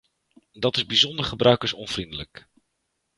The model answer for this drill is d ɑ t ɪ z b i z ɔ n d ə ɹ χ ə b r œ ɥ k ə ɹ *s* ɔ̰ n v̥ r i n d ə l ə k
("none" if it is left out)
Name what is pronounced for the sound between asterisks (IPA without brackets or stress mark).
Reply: s